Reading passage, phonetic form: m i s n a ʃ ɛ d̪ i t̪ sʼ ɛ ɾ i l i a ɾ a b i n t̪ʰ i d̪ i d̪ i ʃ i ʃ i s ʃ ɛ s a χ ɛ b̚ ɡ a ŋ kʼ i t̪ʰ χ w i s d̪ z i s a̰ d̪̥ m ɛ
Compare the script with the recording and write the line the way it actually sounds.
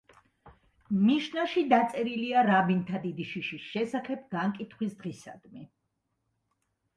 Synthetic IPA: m i ʃ n a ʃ i d̪ a t̪ sʼ ɛ ɾ i l i a ɾ a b i n t̪ʰ a d̪ i d̪ i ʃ i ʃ i s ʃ ɛ s a χ ɛ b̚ ɡ a ŋ kʼ i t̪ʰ χ w i s d̪ ʁ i s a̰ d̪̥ m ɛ